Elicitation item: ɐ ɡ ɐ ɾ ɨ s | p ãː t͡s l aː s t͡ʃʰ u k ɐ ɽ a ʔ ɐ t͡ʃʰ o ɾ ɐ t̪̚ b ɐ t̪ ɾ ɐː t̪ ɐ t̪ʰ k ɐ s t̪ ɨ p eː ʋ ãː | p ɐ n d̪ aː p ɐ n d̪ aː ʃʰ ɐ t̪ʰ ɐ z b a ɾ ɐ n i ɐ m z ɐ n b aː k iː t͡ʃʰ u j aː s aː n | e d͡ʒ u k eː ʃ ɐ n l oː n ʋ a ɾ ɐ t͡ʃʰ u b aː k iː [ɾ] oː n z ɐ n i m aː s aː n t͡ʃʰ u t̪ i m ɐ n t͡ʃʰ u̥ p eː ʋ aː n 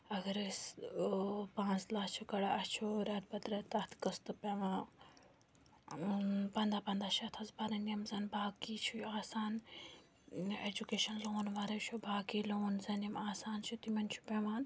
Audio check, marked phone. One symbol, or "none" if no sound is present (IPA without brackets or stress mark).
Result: l